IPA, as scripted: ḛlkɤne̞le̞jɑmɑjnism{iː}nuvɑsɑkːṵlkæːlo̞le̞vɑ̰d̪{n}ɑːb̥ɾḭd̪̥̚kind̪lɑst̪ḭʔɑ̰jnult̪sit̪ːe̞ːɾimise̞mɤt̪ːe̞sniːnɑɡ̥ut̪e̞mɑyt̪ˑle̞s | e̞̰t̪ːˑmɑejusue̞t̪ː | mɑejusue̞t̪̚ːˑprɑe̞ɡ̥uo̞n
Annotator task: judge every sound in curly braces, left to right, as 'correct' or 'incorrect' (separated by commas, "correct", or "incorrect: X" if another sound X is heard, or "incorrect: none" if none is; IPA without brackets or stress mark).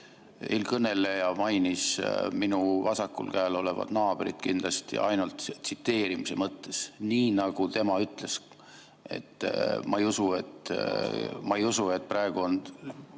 incorrect: i, correct